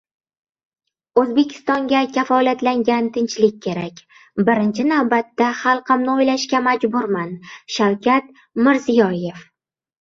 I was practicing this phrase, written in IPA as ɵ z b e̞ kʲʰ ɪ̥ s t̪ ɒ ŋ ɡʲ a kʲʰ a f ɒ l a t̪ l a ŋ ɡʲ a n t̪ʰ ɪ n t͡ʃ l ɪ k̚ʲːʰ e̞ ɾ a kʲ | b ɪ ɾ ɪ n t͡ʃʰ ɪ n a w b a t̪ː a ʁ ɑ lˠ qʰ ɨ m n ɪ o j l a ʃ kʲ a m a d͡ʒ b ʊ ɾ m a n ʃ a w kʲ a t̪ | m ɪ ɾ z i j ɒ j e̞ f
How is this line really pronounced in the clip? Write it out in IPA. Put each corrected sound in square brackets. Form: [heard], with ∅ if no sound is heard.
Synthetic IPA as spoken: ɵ z b e̞ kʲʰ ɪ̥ s t̪ ɒ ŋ ɡʲ a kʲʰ a f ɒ l a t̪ l a ŋ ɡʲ a n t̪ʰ ɪ n t͡ʃ l ɪ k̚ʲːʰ e̞ ɾ a kʲ | b ɪ ɾ ɪ n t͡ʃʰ ɪ n a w b a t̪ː a [χ] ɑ lˠ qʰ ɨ m n ɪ o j l a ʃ kʲ a m a d͡ʒ b ʊ ɾ m a n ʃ a w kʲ a t̪ | m ɪ ɾ z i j ɒ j e̞ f